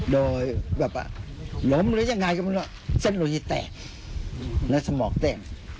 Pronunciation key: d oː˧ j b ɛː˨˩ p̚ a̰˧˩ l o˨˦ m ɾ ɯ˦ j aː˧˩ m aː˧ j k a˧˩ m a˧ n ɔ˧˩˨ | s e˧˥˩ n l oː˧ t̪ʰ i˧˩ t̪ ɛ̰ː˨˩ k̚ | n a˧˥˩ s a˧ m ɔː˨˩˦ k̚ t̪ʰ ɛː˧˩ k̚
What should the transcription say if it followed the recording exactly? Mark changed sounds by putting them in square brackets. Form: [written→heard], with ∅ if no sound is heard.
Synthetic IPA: d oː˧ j b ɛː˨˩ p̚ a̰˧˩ l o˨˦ m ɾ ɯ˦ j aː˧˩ [m→ŋ] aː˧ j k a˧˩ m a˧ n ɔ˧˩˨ | s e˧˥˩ n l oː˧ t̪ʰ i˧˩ t̪ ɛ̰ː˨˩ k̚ | n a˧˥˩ s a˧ m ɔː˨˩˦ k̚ [t̪ʰ→t̪] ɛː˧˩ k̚